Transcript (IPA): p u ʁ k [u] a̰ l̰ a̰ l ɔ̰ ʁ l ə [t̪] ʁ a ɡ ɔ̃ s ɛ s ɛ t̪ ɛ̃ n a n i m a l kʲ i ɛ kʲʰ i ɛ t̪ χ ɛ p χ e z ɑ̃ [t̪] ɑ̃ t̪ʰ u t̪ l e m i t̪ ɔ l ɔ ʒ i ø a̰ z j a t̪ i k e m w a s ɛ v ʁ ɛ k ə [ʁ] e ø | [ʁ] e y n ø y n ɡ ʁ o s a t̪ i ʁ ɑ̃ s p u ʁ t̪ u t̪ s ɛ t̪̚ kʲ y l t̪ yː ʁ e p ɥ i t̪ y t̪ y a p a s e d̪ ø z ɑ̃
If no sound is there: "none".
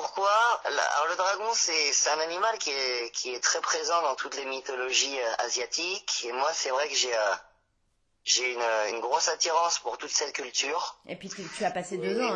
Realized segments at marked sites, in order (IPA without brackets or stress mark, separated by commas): w, d̪, d̪, ʒ, ʒ